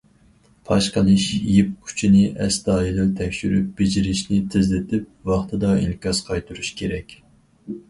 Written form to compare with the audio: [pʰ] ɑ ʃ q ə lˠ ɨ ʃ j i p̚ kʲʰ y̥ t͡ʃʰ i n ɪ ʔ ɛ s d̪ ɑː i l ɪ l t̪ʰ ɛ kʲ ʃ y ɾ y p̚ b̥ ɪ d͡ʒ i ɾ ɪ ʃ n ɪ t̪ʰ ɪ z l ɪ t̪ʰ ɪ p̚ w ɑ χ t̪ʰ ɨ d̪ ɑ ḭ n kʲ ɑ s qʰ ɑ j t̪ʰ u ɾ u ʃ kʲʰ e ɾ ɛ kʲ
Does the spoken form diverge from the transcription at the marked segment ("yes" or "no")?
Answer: no